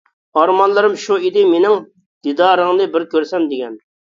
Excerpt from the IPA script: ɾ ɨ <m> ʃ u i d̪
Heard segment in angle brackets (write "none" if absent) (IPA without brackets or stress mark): m